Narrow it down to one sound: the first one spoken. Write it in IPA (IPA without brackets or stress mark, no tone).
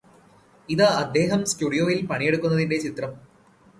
i